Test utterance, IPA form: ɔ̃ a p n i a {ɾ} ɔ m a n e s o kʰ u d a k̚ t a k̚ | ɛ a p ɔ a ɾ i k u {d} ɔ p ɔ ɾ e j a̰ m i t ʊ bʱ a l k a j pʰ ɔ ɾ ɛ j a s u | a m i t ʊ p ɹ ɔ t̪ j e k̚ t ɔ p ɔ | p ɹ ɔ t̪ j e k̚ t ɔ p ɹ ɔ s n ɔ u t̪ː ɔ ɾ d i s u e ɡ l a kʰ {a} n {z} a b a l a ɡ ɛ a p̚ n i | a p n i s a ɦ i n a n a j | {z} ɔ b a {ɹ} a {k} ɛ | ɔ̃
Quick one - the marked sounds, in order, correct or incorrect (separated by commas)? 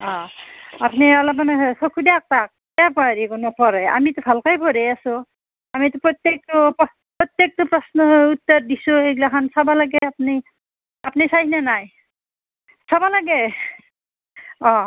incorrect, incorrect, correct, incorrect, incorrect, incorrect, incorrect